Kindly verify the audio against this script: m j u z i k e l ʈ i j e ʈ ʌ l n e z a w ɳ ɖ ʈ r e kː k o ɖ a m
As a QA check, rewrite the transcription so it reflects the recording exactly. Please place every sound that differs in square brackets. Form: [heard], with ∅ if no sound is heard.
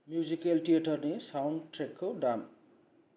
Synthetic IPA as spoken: m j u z i k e l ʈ i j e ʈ ʌ [r] n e [s] a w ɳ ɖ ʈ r e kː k o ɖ a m